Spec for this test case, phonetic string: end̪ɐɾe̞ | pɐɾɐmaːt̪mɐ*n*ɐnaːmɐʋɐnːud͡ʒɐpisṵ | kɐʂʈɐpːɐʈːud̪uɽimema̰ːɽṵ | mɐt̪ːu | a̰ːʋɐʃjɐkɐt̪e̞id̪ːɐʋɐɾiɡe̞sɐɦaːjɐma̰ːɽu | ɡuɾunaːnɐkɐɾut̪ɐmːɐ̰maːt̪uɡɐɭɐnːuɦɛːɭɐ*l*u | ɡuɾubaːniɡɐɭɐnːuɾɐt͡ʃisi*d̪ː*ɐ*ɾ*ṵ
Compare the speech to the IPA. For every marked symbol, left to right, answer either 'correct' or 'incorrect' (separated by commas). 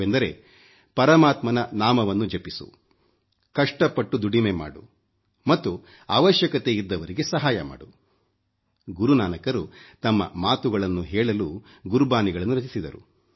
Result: correct, correct, incorrect, correct